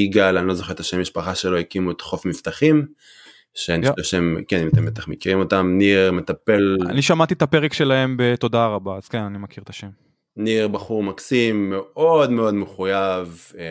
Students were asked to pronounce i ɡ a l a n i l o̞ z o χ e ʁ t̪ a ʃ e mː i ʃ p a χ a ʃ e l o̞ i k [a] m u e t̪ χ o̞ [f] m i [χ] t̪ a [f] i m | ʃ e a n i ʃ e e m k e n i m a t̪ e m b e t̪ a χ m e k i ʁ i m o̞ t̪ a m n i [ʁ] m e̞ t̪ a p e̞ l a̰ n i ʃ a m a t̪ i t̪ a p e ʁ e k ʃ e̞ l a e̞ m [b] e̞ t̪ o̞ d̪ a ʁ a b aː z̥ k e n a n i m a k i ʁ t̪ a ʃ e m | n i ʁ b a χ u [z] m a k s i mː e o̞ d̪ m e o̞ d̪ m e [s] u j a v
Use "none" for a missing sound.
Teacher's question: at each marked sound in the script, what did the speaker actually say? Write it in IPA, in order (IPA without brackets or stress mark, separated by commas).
i, f, f, χ, ʁ, b, ʁ, χ